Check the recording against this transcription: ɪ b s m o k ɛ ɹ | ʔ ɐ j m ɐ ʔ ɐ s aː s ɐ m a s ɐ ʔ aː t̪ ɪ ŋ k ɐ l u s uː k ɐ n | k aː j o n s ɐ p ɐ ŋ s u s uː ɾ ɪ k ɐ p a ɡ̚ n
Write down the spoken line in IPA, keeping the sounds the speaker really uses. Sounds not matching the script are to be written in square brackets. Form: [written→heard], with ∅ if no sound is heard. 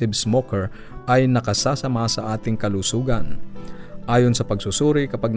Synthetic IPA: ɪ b s m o k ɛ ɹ | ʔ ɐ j [m→n] ɐ [ʔ→k] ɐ s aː s ɐ m a s ɐ ʔ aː t̪ ɪ ŋ k ɐ l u s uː [k→ɡ] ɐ n | [k→ʔ] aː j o n s ɐ p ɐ [ŋ→ɡ] s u s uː ɾ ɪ k ɐ p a ɡ̚ n